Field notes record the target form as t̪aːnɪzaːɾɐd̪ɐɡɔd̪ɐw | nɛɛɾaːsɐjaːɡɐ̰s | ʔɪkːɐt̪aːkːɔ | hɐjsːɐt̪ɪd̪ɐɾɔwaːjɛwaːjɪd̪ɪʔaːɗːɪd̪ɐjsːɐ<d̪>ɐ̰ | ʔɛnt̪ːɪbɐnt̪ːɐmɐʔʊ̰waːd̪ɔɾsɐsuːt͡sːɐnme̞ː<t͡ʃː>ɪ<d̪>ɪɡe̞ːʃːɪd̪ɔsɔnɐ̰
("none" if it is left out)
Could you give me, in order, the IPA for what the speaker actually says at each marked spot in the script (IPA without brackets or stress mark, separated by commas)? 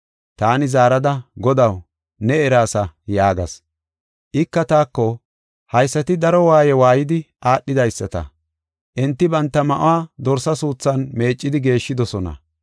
t̪, t͡ʃʼː, d̪